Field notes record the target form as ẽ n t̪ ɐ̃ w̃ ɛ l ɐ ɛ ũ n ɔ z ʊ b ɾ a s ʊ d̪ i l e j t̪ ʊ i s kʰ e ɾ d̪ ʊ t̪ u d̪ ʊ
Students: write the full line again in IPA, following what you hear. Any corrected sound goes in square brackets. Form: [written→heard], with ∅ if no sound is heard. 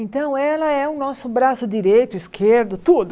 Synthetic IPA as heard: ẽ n t̪ ɐ̃ w̃ ɛ l ɐ ɛ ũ n ɔ [z→s] ʊ b ɾ a s ʊ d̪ i [l→ɾ] e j t̪ ʊ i s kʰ e ɾ d̪ ʊ t̪ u d̪ ʊ